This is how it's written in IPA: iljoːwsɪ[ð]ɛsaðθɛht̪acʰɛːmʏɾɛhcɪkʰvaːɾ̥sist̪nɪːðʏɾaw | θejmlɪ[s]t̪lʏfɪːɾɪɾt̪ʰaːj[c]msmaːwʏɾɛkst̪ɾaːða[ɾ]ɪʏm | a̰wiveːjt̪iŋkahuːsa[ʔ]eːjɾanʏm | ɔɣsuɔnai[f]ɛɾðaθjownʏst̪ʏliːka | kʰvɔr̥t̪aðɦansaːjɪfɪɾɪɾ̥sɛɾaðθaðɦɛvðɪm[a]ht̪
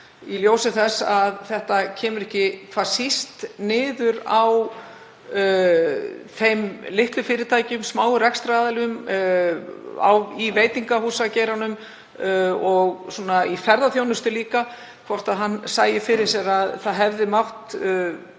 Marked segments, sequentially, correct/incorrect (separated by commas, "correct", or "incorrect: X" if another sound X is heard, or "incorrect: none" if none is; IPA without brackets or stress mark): incorrect: θ, incorrect: h, correct, incorrect: l, incorrect: c, correct, correct